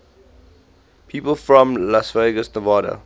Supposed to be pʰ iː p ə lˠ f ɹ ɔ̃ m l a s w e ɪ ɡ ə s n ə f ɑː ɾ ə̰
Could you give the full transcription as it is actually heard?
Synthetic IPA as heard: pʰ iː p ə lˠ f ɹ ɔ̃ m l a s v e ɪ ɡ ə s n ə v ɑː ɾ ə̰